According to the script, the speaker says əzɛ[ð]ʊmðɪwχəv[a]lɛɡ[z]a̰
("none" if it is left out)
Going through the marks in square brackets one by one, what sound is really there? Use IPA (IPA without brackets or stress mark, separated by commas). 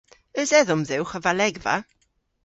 ð, a, v